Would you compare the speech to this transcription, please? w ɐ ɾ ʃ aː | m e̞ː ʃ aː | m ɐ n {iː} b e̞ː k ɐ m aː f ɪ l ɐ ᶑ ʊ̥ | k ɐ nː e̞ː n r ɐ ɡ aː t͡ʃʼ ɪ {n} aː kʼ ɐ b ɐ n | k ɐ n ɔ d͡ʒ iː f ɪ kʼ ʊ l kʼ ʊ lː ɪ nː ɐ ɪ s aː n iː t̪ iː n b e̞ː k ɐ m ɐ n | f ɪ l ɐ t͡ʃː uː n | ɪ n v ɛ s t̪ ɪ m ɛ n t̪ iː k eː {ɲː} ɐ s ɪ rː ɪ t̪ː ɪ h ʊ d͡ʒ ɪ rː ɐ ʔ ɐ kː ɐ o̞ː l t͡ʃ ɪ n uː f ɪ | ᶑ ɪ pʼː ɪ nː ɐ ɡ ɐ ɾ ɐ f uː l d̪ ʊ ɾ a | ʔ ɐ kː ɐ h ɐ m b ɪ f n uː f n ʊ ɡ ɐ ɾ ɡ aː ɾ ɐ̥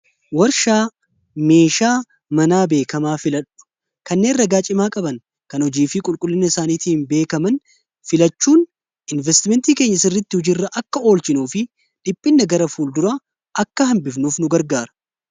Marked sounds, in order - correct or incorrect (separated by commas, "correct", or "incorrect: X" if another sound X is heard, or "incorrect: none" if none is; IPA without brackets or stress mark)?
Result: incorrect: aː, incorrect: m, correct